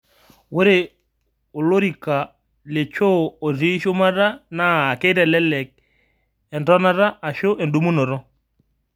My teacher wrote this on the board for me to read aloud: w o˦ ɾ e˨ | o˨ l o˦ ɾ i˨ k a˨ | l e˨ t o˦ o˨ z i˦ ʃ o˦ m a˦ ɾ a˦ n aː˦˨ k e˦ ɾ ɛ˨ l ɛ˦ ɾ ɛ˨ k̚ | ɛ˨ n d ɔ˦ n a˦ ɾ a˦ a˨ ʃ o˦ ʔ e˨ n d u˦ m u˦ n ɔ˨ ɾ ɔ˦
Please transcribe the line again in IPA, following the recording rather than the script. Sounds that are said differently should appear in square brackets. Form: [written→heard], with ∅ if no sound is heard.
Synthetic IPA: w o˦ ɾ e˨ | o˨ l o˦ ɾ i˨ k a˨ | l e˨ [t→t͡ʃ] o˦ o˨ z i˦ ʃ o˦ m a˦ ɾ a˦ n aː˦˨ k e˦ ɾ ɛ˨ l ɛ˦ [ɾ→l] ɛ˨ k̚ | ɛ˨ n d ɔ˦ n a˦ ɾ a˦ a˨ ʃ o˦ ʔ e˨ n d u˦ m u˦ n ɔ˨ ɾ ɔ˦